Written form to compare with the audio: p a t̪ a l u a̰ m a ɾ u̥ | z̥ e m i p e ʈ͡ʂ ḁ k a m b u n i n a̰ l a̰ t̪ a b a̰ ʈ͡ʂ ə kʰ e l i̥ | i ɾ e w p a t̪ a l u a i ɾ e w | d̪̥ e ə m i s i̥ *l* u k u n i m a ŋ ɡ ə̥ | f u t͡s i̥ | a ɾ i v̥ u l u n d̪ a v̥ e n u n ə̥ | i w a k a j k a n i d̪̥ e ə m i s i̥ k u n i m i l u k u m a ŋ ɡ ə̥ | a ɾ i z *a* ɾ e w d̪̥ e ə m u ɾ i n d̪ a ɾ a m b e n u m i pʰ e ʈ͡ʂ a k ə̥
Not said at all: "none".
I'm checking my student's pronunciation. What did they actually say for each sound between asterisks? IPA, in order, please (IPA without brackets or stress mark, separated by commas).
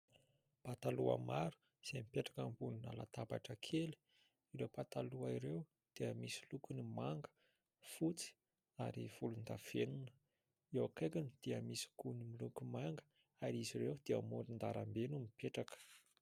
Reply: l, i